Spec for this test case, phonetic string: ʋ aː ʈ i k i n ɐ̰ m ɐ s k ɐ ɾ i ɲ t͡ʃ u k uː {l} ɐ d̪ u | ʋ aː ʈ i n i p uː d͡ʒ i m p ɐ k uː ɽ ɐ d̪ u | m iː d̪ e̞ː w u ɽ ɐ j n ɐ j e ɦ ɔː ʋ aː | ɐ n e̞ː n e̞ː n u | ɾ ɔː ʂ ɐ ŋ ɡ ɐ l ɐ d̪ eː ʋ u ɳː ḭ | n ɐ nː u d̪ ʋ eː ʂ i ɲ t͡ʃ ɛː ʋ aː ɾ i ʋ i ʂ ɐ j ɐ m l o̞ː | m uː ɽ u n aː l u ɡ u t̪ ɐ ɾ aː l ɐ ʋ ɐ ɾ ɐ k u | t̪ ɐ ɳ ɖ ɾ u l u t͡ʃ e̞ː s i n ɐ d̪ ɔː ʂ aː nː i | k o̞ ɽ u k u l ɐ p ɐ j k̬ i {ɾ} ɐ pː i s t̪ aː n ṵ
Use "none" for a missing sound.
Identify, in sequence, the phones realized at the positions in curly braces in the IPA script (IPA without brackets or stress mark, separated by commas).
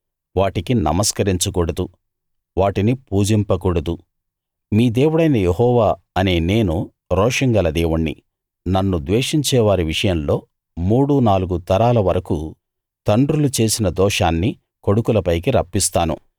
ɽ, ɾ